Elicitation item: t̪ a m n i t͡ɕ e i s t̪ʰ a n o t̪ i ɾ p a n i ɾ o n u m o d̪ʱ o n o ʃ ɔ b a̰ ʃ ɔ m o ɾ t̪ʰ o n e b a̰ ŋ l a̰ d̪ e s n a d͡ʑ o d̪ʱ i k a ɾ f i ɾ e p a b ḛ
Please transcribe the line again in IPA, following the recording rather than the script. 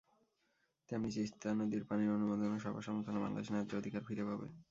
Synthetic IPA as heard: t̪ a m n i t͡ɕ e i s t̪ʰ a n o d̪ i ɾ p a n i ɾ o n u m o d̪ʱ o n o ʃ ɔ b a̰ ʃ ɔ m o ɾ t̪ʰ o n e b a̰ ŋ l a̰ d̪ e ʃ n a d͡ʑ o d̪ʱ i k a ɾ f i ɾ e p a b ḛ